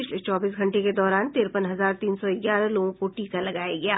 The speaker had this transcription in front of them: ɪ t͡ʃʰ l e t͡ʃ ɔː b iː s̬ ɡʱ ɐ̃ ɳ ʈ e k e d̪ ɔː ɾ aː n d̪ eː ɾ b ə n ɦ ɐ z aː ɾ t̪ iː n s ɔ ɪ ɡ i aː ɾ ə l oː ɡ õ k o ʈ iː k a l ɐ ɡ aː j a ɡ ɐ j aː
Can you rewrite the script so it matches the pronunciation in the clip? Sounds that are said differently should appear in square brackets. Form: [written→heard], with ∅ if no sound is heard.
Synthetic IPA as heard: ɪ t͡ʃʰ l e t͡ʃ ɔː b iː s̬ ɡʱ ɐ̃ ɳ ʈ e k e d̪ ɔː ɾ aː n [d̪→t̪] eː ɾ [b→p] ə n ɦ ɐ z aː ɾ t̪ iː n s ɔ ɪ ɡ [i→j] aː ɾ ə l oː ɡ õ k o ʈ iː k a l ɐ ɡ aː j a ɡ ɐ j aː